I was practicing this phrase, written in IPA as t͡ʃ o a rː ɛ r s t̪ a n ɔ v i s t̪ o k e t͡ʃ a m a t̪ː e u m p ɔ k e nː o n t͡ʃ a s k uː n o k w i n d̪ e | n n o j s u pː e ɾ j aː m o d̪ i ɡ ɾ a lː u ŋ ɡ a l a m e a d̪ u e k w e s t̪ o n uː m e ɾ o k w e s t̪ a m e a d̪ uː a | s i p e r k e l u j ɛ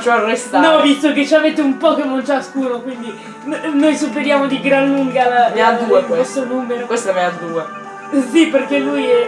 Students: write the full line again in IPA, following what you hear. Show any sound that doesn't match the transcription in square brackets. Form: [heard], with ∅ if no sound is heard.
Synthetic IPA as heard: t͡ʃ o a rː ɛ [∅] s t̪ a n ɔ v i s t̪ o k e t͡ʃ a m [e] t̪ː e u m p ɔ k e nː o n t͡ʃ a s k uː n o k w i n d̪ [i] | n n o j s u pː e ɾ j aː m o d̪ i ɡ ɾ a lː u ŋ ɡ a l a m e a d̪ u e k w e s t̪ o n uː m e ɾ o k w e s t̪ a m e a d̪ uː [e] | s i p e r k e l u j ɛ